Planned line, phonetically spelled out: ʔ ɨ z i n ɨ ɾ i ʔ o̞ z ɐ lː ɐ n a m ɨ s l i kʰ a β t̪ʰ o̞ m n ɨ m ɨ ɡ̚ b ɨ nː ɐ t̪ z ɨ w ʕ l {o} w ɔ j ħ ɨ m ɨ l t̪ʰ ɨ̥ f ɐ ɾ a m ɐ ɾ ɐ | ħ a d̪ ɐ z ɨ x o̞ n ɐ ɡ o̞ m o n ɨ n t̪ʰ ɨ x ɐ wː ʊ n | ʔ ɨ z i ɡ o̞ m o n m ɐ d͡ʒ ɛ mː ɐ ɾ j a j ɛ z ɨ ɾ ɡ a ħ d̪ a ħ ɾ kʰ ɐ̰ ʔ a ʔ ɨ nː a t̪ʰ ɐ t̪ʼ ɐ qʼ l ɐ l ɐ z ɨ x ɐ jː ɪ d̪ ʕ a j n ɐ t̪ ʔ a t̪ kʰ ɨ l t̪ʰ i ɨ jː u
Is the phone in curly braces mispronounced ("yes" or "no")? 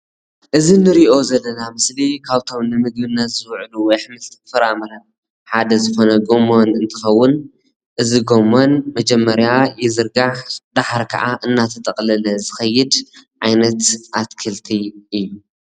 yes